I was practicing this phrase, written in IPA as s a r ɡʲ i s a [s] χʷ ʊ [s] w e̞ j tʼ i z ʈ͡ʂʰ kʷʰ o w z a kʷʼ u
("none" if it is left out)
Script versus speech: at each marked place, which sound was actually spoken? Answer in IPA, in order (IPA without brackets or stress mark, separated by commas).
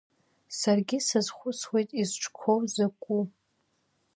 z, s